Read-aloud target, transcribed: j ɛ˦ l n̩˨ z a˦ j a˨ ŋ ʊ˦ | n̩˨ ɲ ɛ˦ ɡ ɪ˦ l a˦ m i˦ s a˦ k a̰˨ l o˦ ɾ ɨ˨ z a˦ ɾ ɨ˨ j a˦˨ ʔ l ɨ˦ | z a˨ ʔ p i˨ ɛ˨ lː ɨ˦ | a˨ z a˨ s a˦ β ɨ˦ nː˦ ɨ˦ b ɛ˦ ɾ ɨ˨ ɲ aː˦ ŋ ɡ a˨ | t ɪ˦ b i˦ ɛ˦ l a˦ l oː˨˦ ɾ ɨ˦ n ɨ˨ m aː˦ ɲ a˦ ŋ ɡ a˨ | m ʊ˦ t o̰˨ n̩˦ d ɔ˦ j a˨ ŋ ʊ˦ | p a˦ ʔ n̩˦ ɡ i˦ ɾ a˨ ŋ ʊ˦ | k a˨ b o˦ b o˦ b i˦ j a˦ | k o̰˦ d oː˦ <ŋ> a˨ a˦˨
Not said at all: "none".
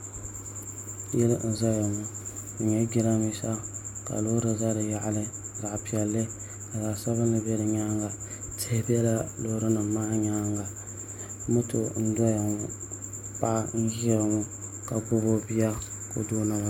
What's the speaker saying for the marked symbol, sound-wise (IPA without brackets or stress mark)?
n